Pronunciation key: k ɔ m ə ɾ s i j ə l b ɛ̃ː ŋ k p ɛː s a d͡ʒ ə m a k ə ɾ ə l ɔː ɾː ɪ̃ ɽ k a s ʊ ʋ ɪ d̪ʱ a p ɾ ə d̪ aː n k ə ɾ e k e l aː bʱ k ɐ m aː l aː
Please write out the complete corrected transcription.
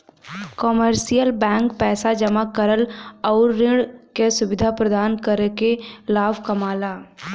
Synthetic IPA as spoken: k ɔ m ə ɾ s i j ə l b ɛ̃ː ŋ k p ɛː s a d͡ʒ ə m a k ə ɾ ə l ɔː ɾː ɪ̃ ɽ k e s ʊ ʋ ɪ d̪ʱ a p ɾ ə d̪ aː n k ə ɾ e k e l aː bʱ k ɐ m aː l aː